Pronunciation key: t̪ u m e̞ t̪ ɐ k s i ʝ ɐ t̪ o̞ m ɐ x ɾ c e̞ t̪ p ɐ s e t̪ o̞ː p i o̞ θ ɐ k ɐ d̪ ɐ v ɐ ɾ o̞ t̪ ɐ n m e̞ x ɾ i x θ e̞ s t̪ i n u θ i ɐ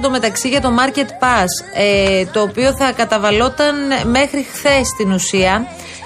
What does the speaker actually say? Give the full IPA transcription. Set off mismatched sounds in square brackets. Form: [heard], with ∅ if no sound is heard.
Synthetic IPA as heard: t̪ [o] m e̞ t̪ ɐ k s i ʝ ɐ t̪ o̞ m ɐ [∅] ɾ c e̞ t̪ p ɐ s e t̪ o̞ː p i o̞ θ ɐ k ɐ [t̪] ɐ v ɐ [l] o̞ t̪ ɐ n m e̞ x ɾ i x θ e̞ s t̪ i n u [s] i ɐ